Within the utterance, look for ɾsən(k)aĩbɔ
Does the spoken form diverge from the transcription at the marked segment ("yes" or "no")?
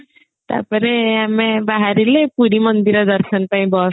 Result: yes